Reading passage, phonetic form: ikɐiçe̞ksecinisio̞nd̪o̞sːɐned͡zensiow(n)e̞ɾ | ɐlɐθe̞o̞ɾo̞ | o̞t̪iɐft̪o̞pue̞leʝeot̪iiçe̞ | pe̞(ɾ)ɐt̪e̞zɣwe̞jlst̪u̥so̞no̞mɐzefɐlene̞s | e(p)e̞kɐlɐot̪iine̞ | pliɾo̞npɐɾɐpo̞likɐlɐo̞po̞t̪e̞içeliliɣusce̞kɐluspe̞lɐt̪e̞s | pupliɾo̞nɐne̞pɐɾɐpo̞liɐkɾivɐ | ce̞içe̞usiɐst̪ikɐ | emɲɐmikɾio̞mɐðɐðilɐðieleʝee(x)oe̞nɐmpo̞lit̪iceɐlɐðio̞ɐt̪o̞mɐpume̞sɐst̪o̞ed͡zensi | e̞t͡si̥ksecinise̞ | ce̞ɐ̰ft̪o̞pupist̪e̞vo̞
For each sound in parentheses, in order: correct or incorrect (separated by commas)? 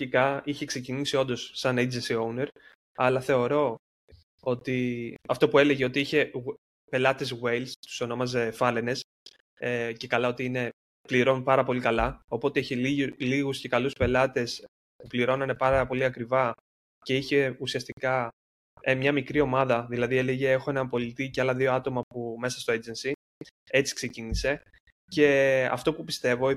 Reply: correct, incorrect, incorrect, correct